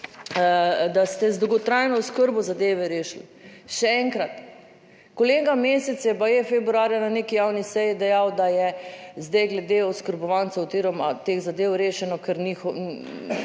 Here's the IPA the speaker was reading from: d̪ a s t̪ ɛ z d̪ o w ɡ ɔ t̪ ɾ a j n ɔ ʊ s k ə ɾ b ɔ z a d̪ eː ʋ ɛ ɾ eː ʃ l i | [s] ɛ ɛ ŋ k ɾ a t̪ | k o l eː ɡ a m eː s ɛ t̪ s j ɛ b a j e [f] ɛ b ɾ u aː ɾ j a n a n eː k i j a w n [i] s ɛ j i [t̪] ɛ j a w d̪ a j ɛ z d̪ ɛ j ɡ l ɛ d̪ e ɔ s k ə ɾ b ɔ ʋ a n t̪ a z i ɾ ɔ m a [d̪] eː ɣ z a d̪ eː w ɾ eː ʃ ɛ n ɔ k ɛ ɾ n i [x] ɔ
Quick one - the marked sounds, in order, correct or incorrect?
incorrect, correct, correct, incorrect, incorrect, correct

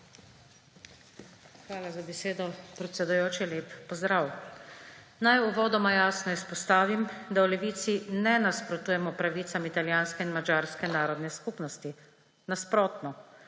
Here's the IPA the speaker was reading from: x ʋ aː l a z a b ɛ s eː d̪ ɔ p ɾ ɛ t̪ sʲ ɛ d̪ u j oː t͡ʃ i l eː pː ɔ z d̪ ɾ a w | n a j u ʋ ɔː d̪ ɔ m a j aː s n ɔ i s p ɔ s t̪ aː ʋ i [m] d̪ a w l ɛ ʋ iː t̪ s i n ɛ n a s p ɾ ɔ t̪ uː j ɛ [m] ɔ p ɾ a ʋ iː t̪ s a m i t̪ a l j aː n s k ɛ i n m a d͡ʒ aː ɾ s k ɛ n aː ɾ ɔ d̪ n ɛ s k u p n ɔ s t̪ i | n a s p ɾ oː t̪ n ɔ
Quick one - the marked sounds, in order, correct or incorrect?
correct, correct

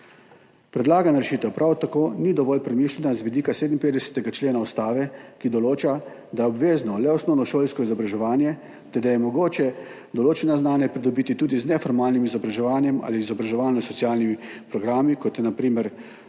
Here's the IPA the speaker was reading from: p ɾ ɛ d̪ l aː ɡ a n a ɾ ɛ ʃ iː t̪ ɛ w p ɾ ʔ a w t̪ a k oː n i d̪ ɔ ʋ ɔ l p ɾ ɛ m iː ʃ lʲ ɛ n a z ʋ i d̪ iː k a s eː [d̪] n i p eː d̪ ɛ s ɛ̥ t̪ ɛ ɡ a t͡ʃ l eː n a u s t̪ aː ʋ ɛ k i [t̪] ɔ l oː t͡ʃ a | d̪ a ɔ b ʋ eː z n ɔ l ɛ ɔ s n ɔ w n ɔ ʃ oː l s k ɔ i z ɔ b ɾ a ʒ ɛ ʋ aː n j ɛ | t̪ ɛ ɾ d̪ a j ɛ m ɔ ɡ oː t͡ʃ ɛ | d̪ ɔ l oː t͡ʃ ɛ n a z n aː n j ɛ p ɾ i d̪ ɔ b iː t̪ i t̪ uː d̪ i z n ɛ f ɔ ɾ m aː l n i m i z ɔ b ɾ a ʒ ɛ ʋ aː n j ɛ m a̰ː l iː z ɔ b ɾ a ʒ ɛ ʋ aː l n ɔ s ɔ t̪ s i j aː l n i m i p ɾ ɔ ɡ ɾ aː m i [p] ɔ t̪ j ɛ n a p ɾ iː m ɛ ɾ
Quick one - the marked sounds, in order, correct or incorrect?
correct, incorrect, incorrect

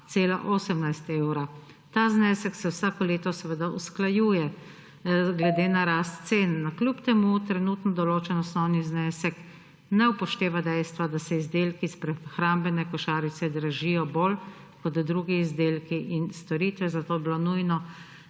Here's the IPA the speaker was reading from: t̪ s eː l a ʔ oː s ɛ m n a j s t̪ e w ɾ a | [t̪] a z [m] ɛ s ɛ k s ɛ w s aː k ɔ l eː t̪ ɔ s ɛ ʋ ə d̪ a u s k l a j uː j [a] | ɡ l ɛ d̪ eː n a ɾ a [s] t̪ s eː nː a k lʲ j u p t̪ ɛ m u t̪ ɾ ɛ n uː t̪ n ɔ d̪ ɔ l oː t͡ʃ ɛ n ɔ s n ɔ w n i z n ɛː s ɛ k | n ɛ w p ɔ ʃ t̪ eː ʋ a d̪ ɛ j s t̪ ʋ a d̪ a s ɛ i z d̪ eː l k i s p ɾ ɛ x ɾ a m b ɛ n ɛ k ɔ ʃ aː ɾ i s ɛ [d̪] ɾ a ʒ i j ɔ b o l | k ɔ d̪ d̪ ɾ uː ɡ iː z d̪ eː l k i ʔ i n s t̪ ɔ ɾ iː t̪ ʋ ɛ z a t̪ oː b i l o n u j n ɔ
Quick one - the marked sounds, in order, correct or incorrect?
correct, incorrect, incorrect, correct, correct

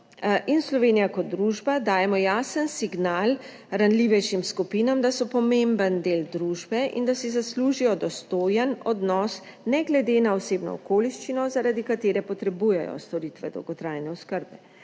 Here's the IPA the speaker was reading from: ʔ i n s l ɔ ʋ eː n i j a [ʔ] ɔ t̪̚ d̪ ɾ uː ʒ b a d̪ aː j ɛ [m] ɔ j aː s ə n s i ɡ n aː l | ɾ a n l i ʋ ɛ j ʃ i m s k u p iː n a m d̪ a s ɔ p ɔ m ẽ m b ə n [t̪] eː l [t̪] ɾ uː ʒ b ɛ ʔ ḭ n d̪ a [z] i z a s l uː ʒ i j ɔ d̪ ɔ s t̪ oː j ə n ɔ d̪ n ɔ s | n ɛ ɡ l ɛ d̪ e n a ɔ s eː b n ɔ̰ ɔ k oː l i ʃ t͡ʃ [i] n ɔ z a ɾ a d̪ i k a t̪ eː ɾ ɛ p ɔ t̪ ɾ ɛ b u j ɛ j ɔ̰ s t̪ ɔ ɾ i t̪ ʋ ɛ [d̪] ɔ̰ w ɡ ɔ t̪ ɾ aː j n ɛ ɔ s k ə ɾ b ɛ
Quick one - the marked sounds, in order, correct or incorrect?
incorrect, correct, incorrect, incorrect, incorrect, correct, correct

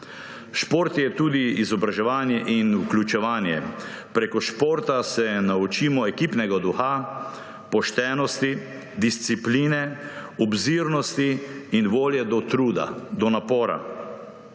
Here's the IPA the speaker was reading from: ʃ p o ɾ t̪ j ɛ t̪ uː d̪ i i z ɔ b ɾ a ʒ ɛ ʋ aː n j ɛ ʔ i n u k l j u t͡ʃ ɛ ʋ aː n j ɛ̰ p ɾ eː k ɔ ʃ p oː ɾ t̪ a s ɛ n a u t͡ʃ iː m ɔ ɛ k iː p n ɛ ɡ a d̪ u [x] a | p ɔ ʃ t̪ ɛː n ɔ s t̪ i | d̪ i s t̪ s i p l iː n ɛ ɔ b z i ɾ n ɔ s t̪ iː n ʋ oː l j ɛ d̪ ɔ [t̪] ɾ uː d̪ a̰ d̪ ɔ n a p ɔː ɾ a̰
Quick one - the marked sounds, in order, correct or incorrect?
correct, correct

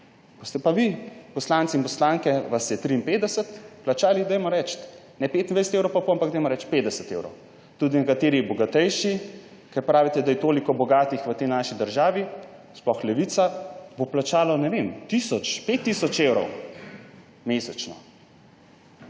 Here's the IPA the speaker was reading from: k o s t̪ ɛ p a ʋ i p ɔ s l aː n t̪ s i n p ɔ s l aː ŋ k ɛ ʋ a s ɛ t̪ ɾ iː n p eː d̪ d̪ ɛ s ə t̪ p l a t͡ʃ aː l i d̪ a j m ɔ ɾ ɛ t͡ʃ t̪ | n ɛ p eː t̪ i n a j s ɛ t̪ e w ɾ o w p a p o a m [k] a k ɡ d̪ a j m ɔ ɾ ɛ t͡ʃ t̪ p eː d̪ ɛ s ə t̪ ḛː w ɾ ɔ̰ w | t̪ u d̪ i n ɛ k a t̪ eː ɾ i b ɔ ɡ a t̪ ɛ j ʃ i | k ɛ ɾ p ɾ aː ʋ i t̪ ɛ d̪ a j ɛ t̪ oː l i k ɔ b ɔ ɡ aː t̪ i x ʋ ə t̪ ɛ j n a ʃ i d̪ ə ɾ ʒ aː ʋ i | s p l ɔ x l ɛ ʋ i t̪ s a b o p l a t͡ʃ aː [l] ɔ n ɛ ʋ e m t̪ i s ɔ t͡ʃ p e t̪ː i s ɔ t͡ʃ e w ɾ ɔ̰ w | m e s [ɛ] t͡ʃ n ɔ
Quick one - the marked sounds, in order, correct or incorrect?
incorrect, correct, correct

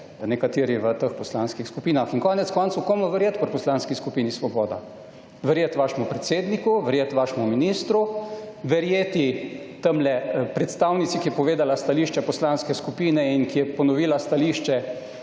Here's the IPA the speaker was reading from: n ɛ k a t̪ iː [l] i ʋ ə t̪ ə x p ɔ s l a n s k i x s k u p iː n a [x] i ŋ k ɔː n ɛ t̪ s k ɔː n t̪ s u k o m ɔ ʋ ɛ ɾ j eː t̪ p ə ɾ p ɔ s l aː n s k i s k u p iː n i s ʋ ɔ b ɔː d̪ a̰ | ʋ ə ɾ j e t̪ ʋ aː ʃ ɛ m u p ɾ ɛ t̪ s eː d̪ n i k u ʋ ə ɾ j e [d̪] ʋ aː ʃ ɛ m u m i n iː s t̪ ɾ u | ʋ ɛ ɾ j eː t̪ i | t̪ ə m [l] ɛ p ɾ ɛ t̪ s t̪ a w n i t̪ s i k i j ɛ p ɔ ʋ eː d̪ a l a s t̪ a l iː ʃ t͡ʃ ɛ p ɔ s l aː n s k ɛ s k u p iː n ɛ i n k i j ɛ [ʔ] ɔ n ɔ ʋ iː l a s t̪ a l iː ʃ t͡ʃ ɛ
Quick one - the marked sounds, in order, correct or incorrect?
incorrect, correct, incorrect, correct, incorrect

